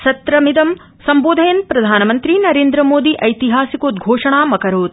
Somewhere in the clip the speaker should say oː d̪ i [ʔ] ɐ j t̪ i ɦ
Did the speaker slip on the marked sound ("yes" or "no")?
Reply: no